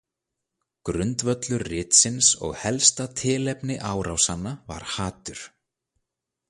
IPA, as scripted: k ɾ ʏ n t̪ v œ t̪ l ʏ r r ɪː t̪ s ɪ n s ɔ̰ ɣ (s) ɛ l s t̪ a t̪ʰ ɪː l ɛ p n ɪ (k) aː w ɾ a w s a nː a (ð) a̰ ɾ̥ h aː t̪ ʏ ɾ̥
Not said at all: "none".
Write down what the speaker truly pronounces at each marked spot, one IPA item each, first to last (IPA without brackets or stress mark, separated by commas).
h, ʔ, v